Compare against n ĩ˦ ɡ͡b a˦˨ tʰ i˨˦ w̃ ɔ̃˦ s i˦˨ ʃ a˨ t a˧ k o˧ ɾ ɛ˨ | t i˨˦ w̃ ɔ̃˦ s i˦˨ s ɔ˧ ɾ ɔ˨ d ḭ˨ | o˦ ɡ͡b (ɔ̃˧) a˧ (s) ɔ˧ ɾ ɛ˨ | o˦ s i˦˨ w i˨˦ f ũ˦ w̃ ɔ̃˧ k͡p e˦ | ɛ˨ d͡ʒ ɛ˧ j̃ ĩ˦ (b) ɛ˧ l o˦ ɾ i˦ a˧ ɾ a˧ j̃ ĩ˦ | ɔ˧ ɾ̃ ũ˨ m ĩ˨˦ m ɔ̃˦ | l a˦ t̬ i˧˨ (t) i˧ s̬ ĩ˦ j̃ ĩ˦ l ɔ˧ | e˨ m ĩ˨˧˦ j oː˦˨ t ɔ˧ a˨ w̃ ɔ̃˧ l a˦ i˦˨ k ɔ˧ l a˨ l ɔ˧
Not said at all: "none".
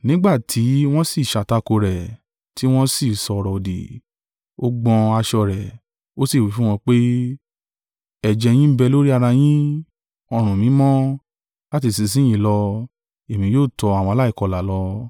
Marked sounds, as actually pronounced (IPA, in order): ɔ̃˧, ʃ, b, s

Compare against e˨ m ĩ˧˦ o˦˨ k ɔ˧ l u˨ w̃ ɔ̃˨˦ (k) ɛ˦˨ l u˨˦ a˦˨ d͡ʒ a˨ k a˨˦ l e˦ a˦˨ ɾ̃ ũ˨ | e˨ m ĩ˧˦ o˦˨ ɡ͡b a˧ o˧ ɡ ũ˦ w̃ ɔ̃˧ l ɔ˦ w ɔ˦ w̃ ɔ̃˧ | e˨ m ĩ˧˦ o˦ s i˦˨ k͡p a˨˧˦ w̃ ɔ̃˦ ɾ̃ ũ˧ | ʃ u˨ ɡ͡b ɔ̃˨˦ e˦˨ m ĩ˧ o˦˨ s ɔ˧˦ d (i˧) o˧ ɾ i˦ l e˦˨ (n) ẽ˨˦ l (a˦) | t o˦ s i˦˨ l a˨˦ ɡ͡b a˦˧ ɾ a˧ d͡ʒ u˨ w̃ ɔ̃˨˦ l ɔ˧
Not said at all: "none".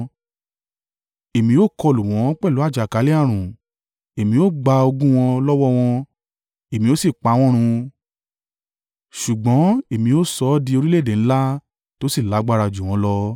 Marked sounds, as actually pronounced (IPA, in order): k͡p, i˧, d, a˦

